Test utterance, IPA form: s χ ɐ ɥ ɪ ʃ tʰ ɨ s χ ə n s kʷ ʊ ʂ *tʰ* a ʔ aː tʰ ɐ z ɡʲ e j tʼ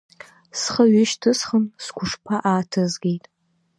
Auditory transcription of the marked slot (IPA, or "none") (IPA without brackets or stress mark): pʰ